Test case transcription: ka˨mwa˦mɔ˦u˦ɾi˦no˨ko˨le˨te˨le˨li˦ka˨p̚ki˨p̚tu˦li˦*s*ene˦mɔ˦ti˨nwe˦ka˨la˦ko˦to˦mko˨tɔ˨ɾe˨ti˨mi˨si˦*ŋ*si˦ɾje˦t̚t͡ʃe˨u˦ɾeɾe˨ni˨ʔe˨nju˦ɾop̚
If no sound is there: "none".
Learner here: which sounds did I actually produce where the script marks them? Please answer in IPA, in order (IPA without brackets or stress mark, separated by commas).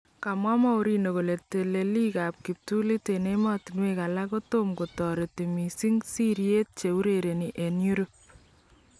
t, ŋ